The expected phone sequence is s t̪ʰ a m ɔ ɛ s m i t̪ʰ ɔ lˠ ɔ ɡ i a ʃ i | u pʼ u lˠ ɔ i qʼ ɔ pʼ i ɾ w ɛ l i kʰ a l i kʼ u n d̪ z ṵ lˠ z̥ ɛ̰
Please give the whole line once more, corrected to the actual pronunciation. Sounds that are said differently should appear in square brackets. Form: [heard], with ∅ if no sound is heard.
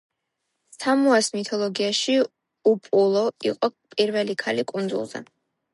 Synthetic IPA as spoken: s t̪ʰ a m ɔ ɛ s m i t̪ʰ ɔ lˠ ɔ ɡ i a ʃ i | u pʼ u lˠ ɔ i qʼ ɔ pʼ i ɾ [v] ɛ l i kʰ a l i kʼ u n d̪ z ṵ lˠ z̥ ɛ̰